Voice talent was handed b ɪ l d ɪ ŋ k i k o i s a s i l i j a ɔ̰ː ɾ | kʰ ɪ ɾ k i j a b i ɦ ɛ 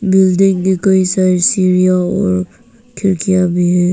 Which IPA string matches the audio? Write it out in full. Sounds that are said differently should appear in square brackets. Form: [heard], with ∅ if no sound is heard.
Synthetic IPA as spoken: b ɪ l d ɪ ŋ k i k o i s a s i [ɾ] i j a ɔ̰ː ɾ | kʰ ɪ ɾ k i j a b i ɦ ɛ